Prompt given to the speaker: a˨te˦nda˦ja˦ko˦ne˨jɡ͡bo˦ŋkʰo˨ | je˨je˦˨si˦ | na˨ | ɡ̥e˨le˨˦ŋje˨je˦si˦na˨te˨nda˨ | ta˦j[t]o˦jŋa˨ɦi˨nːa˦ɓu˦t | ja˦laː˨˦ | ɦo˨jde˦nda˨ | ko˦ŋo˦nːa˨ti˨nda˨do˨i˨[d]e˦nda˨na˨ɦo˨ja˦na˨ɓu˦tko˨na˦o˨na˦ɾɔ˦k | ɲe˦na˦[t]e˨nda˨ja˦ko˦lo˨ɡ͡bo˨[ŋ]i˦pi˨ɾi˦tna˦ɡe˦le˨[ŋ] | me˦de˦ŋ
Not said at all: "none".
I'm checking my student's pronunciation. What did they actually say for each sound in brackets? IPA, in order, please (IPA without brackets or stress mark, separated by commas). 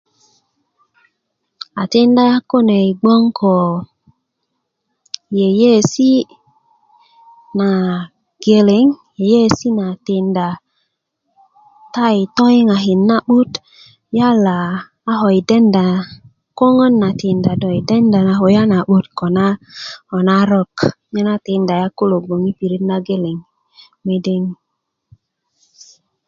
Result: t, d, t, ŋ, ŋ